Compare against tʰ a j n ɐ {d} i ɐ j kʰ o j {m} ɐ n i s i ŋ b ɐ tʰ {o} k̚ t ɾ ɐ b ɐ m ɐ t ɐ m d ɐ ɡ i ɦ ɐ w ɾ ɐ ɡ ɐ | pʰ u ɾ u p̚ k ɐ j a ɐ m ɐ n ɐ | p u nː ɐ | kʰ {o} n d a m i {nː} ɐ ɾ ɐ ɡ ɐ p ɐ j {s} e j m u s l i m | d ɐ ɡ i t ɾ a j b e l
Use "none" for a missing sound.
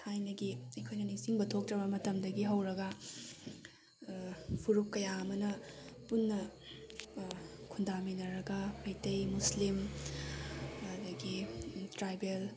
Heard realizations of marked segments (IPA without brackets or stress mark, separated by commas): ɡ, n, o, u, n, t